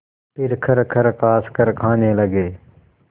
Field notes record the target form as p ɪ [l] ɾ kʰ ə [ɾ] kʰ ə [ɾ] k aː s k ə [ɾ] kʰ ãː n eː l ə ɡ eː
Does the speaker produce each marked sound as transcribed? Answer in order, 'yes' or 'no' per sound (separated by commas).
no, yes, yes, yes